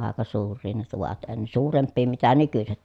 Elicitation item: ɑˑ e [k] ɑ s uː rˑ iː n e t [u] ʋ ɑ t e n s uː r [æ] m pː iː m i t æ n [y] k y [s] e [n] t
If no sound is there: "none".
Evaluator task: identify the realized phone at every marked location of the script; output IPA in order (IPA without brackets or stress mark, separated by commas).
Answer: k, u, e, y, s, none